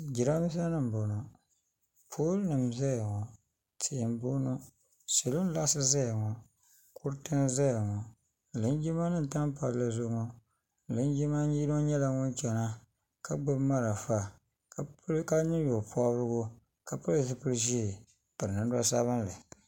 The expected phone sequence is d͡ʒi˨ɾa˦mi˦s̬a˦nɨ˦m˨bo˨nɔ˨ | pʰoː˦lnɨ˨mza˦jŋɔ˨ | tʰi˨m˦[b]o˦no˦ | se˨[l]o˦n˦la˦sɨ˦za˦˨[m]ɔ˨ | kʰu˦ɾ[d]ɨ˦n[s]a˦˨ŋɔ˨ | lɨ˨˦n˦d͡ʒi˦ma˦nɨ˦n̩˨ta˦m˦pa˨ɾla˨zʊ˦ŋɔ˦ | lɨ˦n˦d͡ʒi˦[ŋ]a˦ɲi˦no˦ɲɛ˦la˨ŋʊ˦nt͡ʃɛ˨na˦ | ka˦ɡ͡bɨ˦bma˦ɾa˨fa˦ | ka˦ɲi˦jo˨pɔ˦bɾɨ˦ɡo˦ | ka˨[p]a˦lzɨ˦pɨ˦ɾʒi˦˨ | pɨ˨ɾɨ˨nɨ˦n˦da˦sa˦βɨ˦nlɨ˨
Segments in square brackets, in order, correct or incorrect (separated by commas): correct, correct, incorrect, incorrect, incorrect, incorrect, correct